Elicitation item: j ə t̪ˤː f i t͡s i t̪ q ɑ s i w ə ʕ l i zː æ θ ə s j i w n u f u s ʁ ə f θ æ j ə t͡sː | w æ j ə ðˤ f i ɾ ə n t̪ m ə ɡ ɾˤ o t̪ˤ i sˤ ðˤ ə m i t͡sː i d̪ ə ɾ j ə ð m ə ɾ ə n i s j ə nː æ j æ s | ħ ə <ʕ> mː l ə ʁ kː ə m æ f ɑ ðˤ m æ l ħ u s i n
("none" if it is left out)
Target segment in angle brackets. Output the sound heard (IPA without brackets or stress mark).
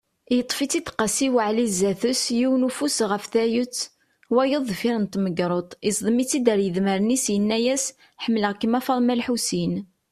none